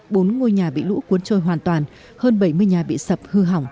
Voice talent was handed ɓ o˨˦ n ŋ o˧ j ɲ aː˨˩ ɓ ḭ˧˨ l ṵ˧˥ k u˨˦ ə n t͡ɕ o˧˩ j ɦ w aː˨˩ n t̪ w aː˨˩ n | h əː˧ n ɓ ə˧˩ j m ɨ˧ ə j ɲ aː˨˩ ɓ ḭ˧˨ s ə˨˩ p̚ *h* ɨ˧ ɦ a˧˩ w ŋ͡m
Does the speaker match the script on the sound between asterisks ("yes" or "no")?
yes